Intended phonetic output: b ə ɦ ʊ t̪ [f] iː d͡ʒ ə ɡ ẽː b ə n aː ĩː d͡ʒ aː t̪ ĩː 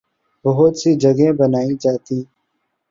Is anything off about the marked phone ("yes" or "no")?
yes